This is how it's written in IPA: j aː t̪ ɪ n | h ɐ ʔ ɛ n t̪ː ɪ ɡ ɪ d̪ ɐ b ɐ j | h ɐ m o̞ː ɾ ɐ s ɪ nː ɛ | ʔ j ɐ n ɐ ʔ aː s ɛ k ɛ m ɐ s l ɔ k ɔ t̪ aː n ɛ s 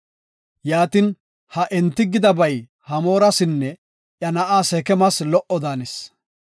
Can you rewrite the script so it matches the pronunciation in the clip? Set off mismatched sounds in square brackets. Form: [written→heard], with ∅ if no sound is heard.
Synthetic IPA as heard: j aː t̪ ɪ n | h ɐ ʔ ɛ n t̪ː ɪ ɡ ɪ d̪ ɐ b ɐ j | h ɐ m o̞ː ɾ ɐ s ɪ nː ɛ | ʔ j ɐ n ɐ ʔ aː s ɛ k ɛ m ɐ s l ɔ [k→ʔ] ɔ [t̪→d̪] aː n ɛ s